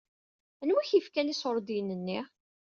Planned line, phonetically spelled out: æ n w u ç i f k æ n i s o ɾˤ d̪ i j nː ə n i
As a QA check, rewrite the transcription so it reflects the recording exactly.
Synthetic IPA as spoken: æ n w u ç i f k æ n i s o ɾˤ d̪ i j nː ə nː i